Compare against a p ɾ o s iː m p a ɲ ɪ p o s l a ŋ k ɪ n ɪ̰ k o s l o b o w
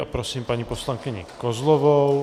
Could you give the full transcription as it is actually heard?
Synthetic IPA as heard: a p ɾ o s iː m p a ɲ i p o s l a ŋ k ɪ ɲ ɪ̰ k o z l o v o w